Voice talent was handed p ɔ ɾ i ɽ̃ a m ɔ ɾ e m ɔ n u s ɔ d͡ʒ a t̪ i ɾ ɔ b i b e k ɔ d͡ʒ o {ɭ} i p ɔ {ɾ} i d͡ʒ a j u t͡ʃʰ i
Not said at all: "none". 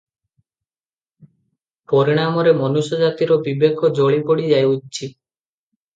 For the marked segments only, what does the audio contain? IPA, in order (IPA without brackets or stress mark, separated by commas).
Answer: ɭ, ɽ